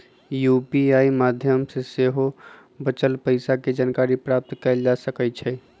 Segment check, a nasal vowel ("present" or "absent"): absent